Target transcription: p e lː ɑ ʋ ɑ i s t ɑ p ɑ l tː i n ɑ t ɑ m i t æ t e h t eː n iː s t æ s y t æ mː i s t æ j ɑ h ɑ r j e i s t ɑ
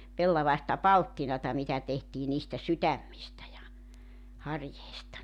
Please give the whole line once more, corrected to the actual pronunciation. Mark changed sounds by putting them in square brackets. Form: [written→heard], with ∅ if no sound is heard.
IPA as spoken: p e lː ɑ ʋ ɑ i s t ɑ p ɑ l tː i n ɑ t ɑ m i t æ t e h t [eː→iː] n iː s t æ s y t æ mː i s t æ j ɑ h ɑ r j e i s t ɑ